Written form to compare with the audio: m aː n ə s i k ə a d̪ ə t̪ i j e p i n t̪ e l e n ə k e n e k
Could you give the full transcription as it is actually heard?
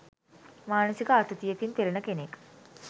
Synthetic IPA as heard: m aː n ə s i k ə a t̪ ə t̪ i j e k i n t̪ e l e n ə k e n e k